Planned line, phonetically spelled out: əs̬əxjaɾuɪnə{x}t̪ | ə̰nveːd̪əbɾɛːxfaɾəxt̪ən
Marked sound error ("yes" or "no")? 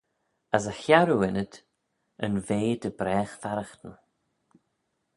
yes